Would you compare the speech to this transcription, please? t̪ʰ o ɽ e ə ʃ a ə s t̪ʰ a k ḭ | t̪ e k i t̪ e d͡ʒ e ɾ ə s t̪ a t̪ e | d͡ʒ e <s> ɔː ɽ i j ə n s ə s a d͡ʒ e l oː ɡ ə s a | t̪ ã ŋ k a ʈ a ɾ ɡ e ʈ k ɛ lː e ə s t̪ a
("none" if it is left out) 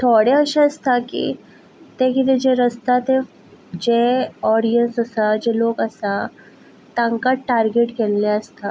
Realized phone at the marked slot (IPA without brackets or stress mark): none